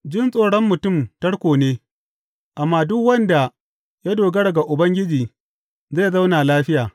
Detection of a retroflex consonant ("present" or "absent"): present